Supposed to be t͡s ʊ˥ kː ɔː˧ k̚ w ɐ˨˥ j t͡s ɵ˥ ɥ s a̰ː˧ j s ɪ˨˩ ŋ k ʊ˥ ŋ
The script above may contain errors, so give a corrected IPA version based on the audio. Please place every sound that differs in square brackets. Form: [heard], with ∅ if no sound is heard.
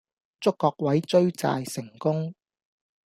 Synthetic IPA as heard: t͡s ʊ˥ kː ɔː˧ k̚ w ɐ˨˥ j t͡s ɵ˥ ɥ [t͡s] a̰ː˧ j s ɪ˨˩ ŋ k ʊ˥ ŋ